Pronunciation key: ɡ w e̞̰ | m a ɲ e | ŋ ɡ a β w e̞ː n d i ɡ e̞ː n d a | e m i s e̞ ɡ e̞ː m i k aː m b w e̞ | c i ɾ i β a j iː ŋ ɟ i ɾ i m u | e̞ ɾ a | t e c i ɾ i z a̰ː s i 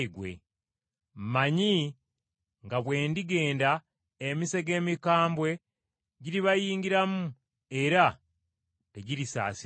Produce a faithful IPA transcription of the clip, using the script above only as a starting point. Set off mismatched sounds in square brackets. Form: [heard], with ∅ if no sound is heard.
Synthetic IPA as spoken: ɡ w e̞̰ | m a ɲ [i] | ŋ ɡ a β w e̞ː n d i ɡ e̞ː n d a | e m i s e̞ ɡ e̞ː m i k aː m b w e̞ | [ɟ] i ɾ i β a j iː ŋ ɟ i ɾ [a] m u | e̞ ɾ a | t e [ɟ] i ɾ i [s] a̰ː s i